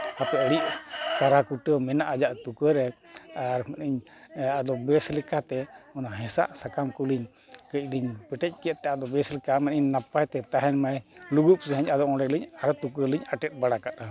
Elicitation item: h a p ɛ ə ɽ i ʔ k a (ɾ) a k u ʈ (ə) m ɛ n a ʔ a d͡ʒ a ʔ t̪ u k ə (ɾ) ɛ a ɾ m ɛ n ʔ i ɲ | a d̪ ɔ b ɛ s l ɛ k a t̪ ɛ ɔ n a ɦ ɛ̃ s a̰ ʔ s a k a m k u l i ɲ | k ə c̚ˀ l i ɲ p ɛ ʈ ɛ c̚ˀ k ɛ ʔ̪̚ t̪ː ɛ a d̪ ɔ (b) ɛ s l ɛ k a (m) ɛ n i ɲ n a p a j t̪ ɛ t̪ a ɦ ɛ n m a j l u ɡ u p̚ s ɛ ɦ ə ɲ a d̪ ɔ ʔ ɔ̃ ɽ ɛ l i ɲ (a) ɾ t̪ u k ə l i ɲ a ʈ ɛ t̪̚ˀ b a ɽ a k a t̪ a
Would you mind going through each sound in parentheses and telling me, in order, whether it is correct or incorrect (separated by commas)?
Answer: correct, correct, correct, correct, correct, correct